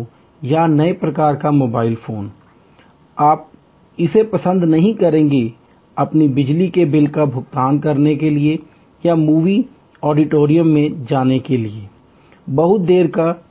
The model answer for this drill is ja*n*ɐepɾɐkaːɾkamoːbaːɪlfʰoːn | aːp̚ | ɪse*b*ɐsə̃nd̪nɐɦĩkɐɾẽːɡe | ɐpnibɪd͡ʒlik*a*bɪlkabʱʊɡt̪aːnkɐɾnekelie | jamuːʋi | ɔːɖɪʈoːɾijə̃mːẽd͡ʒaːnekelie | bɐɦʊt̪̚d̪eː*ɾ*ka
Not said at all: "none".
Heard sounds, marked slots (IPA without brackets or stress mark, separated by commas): n, p, e, ɾ